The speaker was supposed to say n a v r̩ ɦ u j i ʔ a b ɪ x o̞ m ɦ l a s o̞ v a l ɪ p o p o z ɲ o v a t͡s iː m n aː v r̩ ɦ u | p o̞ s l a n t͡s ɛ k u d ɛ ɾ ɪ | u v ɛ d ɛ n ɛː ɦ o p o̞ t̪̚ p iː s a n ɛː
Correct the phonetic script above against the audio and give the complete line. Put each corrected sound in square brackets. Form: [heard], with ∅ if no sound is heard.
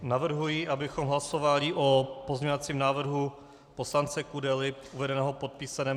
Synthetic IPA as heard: n a v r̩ ɦ u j i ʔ a b ɪ x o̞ m ɦ l a s o̞ v a l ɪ [ʔ] o p o z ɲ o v a t͡s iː m n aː v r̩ ɦ u | p o̞ s l a n t͡s ɛ k u d ɛ [l] ɪ | u v ɛ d ɛ n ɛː ɦ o p o̞ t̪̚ p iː s a n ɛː